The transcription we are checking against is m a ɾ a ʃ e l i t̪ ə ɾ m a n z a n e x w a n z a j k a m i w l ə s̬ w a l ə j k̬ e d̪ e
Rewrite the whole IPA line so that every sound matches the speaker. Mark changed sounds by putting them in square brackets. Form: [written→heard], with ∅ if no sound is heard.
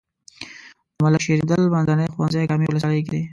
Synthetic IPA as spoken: m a [ɾ→l] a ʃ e [l→ɾ] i [t̪→d̪] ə [ɾ→l] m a n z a n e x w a n z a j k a m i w l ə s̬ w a l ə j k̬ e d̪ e